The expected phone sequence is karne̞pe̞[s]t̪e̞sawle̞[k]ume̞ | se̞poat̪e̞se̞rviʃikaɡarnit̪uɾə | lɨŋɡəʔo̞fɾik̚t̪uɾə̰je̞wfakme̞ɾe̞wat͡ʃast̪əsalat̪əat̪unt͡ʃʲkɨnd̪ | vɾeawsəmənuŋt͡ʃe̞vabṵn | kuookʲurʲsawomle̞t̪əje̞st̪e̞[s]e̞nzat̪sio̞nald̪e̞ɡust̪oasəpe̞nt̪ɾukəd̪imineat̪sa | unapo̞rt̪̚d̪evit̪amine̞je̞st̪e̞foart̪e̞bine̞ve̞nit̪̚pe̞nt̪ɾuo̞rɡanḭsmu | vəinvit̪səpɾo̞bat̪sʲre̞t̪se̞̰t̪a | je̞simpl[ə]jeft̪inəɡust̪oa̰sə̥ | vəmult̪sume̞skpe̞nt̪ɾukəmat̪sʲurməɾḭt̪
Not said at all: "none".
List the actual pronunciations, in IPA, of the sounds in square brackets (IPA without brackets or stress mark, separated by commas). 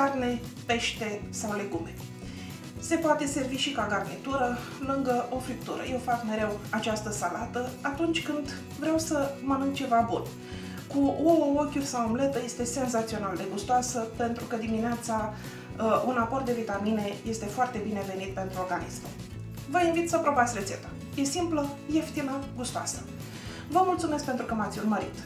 ʃ, ɡ, s, ə